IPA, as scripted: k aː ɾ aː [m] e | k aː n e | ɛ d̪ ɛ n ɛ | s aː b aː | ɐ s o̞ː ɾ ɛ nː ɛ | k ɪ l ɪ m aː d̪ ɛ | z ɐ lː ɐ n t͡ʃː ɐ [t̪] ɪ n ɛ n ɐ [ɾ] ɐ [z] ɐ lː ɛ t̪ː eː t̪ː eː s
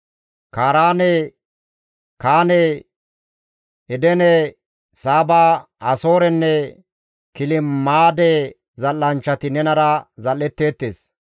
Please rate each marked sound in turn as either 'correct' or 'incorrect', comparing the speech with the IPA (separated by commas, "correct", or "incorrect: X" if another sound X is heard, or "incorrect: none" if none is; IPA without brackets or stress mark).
incorrect: n, correct, correct, correct